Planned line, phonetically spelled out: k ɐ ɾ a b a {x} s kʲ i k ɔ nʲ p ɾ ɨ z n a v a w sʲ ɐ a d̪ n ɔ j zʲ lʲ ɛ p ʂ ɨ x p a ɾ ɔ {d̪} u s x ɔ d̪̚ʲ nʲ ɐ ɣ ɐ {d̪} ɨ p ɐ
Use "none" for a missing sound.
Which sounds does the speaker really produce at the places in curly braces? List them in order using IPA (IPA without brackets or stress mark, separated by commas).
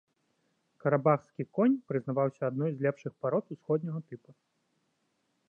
x, t̪, t̪